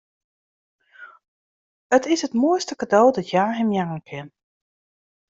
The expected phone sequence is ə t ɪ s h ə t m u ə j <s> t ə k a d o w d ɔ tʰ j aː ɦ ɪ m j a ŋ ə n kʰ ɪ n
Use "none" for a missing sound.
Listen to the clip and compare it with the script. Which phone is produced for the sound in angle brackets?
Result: s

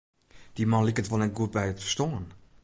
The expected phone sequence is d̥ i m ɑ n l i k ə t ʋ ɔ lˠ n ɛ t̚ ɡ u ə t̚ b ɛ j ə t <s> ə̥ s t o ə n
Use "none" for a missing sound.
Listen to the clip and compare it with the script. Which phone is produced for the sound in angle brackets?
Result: f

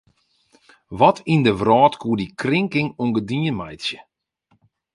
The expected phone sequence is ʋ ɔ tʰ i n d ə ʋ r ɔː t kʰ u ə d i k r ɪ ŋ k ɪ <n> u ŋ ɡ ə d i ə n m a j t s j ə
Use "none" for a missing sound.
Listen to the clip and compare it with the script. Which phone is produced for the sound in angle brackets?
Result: ŋ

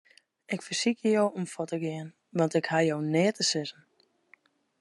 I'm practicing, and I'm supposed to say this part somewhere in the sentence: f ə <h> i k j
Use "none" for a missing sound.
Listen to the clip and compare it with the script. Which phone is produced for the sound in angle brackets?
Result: s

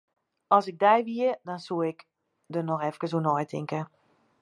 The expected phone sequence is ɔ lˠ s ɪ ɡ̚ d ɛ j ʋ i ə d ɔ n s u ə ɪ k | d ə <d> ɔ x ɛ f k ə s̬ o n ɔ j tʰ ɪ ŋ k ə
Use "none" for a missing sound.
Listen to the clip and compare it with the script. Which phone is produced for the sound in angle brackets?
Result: n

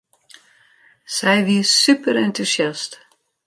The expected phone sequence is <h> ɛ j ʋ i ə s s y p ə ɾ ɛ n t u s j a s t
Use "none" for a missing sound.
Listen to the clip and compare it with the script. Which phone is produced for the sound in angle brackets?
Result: s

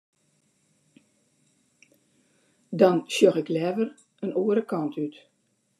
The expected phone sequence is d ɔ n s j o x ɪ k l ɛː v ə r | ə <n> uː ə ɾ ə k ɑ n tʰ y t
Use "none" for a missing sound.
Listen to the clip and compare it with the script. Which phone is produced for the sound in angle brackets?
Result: n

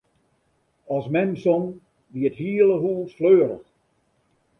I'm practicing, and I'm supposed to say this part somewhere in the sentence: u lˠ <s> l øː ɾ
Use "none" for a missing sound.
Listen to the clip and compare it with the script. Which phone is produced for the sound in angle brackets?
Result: f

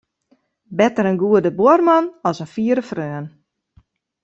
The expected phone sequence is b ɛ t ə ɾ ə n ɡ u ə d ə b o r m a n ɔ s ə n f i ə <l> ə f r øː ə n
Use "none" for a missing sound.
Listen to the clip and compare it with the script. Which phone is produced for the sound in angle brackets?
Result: ɾ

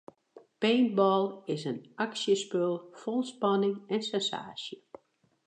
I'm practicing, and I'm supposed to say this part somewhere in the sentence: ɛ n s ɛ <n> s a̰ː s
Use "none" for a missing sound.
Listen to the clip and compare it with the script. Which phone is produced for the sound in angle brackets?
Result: n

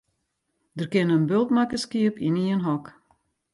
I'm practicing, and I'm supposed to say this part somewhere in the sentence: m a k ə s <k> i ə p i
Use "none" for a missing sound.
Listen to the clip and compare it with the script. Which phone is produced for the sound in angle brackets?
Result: k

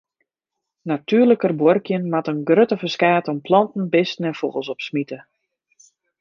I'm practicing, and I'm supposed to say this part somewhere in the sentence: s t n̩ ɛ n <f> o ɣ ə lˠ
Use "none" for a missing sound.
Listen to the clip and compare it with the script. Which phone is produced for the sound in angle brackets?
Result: f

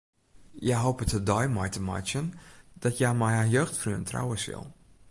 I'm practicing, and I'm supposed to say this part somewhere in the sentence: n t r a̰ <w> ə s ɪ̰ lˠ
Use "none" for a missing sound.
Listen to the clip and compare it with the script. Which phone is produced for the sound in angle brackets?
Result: w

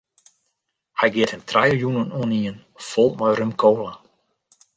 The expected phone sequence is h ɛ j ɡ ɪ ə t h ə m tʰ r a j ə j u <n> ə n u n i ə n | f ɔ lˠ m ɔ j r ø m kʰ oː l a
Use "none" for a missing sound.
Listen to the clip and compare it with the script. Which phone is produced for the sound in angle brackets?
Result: n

